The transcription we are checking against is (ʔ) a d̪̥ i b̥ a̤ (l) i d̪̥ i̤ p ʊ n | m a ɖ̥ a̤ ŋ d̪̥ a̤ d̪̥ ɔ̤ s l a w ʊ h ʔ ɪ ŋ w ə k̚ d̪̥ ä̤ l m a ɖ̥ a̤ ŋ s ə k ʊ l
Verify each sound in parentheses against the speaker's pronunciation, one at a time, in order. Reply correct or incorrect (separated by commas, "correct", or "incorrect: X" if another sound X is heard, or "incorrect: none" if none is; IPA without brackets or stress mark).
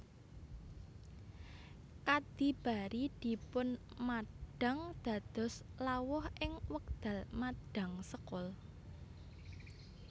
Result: incorrect: k, incorrect: ɾ